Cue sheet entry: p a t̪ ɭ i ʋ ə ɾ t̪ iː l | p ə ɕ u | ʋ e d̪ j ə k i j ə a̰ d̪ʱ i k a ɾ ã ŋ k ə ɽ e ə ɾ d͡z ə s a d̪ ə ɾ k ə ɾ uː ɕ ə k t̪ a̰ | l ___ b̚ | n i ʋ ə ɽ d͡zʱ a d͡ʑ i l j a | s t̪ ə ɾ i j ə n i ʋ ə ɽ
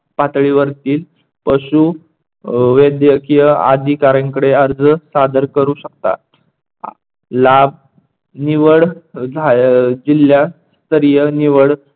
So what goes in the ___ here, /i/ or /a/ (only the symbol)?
a